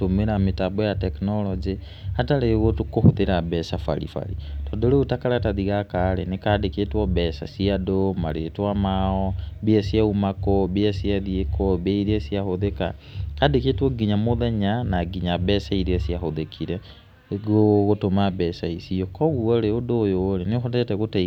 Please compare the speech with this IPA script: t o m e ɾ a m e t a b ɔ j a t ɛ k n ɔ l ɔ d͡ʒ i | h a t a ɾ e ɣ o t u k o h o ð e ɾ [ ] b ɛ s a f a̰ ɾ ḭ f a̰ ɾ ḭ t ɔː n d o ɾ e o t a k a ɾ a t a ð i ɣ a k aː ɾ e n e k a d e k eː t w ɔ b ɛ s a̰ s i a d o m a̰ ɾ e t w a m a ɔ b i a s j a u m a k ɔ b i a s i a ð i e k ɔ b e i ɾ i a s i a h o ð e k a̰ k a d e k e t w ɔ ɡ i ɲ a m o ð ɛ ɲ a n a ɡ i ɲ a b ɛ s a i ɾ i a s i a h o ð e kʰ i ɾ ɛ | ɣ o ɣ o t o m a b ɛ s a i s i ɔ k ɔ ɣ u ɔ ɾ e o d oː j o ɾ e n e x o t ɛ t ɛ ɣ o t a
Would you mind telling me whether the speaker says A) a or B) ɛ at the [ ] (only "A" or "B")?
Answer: A